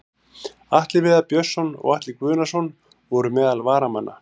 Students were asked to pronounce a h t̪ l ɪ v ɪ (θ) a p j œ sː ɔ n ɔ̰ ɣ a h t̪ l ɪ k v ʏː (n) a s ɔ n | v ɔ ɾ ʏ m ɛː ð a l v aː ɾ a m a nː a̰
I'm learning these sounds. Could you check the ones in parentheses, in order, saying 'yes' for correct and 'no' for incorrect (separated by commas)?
no, yes